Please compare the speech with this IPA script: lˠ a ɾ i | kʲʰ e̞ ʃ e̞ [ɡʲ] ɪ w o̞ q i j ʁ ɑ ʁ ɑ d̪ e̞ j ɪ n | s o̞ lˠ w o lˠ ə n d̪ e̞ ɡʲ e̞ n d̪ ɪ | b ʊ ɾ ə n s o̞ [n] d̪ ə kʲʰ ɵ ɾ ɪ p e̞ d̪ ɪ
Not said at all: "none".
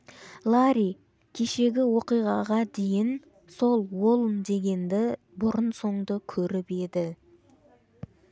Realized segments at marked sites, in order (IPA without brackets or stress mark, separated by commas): ɡʲ, ɴ